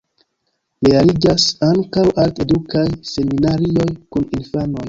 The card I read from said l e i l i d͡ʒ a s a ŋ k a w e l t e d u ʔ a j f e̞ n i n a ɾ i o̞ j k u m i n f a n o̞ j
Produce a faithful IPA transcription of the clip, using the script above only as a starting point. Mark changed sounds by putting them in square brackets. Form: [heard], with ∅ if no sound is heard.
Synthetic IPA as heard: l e [a] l i d͡ʒ a s a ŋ k a w [a] l t e d u [k] a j [s] e̞ [m] i n a ɾ i o̞ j k u [n] i n f a n o̞ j

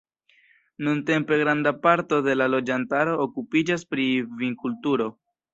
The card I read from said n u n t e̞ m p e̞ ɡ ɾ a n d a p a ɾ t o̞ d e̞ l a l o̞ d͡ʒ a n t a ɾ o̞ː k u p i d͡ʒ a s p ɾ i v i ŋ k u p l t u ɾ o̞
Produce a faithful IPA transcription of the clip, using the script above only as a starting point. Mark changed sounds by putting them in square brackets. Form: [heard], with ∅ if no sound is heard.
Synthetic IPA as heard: n u n t e̞ m p e̞ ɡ ɾ a n d a p a ɾ t o̞ d e̞ l a l o̞ d͡ʒ a n t a ɾ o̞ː k u p i d͡ʒ a s p ɾ i v i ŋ k u [∅] l t u ɾ o̞

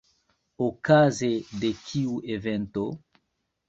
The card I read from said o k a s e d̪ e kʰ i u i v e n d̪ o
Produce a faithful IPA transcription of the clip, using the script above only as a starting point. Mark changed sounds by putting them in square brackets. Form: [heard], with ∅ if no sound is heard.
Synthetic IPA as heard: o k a [z] e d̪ e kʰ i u [e] v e n [t̪] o

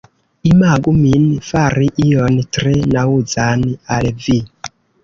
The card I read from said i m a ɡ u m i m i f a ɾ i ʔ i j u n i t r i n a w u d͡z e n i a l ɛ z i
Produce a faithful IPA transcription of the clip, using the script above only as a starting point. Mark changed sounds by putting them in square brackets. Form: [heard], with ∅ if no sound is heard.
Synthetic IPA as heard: i m a ɡ u m i [n] i f a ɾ i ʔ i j [ɔ] n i t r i n a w u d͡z [a] n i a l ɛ [v] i

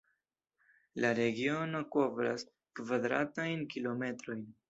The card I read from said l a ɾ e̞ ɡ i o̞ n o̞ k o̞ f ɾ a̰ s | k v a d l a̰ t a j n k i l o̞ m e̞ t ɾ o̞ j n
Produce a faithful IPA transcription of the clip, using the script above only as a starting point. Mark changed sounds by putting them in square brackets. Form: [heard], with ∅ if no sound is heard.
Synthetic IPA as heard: l a ɾ e̞ ɡ i o̞ n o̞ k o̞ [v] ɾ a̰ s | k v a d [ɾ] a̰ t a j n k i l o̞ m e̞ t ɾ o̞ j n

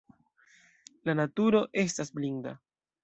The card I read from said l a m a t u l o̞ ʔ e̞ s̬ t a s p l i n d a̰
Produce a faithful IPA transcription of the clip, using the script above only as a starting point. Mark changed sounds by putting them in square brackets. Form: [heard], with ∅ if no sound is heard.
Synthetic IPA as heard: l a [n] a t u [ɾ] o̞ ʔ e̞ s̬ t a s [b] l i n d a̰

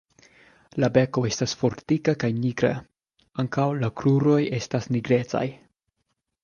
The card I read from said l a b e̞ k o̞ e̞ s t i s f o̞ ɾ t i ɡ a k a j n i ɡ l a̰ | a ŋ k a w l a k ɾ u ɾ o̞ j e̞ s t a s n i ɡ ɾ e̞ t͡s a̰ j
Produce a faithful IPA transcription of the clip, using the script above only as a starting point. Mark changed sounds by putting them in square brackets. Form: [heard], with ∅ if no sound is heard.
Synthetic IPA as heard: l a b e̞ k o̞ e̞ s t [a] s f o̞ ɾ t i [k] a k a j n i ɡ [ɾ] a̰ | a ŋ k a w l a k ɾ u ɾ o̞ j e̞ s t a s n i ɡ ɾ e̞ t͡s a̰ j

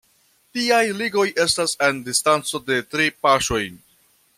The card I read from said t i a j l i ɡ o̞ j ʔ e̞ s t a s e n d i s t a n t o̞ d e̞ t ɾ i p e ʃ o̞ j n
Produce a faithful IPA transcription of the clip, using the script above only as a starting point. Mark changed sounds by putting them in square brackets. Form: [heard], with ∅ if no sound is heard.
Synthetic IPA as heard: t i a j l i ɡ o̞ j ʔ e̞ s t a s e n d i s t a n [t͡s] o̞ d e̞ t ɾ i p [a] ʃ o̞ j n

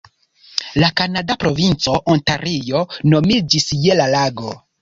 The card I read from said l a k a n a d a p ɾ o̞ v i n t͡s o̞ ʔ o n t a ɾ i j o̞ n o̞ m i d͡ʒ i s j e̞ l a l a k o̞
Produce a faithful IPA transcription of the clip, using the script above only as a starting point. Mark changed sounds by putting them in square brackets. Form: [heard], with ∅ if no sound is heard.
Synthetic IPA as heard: l a k a n a d a p ɾ o̞ v i n t͡s o̞ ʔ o n t a ɾ i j o̞ n o̞ m i d͡ʒ i s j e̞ l a l a [ɡ] o̞

